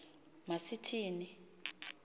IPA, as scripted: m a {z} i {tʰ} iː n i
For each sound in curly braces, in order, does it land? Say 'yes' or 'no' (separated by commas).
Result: no, yes